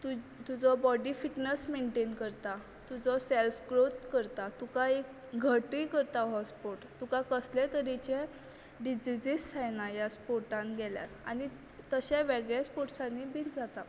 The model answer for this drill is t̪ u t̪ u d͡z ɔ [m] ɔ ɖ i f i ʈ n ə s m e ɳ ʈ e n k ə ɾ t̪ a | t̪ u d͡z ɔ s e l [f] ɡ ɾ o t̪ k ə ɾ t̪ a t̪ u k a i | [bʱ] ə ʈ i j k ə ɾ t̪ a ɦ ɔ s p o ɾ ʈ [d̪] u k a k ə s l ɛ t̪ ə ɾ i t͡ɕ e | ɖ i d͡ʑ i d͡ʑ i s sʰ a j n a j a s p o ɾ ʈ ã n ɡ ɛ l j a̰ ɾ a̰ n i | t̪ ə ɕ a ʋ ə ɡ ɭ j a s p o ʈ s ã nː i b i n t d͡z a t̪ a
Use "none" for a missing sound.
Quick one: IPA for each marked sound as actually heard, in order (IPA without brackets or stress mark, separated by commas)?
b, f, ɡʱ, t̪